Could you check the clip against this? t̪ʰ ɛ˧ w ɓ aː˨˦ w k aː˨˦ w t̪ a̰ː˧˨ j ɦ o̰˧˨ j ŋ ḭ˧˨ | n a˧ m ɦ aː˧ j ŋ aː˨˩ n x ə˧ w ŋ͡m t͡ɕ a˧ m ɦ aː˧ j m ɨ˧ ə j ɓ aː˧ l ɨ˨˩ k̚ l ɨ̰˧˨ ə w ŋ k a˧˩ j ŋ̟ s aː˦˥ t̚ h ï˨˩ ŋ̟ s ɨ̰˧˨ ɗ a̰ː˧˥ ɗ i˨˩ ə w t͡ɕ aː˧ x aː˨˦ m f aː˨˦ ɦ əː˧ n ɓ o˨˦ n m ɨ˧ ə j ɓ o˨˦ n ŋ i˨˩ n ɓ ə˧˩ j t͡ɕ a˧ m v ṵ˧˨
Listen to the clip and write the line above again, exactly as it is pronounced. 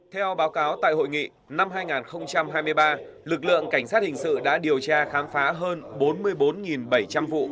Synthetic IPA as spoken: t̪ʰ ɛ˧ w ɓ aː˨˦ w k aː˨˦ w t̪ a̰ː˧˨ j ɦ o̰˧˨ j ŋ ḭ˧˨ | n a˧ m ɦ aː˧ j ŋ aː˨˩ n x ə˧ w ŋ͡m t͡ɕ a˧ m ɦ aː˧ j m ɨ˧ ə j ɓ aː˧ l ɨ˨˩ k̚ l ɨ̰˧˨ ə ŋ k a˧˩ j ŋ̟ s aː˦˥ t̚ h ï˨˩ ŋ̟ s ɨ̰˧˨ ɗ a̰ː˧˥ ɗ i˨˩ ə w t͡ɕ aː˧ x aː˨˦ m f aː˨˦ ɦ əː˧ n ɓ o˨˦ n m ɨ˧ ə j ɓ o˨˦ n ŋ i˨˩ n ɓ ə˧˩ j t͡ɕ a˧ m v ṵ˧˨